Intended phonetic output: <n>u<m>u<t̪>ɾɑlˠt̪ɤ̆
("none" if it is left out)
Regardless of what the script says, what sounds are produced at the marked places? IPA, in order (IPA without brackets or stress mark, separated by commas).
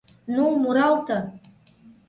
n, m, none